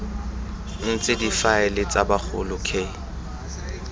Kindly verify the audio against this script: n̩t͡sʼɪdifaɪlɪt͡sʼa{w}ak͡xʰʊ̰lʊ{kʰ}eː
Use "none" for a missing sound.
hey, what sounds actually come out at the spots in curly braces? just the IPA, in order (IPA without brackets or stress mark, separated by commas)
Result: b, kʰ